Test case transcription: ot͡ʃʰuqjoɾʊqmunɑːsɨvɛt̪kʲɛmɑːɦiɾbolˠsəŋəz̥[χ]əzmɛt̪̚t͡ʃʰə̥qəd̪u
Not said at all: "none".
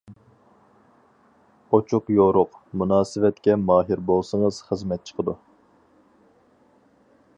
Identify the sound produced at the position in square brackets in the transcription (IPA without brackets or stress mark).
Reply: χ